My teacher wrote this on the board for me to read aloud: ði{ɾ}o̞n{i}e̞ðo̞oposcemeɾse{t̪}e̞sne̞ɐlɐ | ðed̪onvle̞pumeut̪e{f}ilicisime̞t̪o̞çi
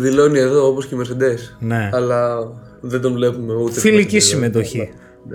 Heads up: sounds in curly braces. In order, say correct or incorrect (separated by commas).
incorrect, correct, incorrect, correct